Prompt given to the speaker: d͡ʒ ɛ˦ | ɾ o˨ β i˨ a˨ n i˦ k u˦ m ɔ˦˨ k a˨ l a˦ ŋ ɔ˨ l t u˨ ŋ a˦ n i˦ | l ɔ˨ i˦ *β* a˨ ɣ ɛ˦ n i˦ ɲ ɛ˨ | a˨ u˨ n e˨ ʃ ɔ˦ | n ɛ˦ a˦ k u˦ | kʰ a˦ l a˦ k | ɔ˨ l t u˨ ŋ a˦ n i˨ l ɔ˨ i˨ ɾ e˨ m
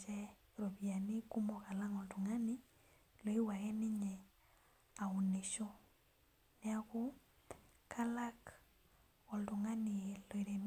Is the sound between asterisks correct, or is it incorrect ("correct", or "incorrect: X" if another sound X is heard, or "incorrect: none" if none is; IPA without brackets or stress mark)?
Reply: incorrect: w